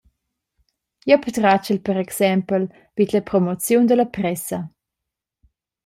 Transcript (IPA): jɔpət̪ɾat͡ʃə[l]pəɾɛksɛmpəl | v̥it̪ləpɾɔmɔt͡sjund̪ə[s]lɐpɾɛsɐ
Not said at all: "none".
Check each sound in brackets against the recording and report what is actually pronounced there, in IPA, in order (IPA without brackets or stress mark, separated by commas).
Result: l, none